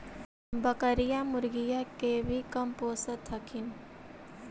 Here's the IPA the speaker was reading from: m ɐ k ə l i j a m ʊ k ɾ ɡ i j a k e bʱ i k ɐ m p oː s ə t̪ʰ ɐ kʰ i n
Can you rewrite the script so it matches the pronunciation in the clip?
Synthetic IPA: b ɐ k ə ɾ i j a m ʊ ɾ ɡ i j a k e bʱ i k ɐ m p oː s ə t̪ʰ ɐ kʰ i n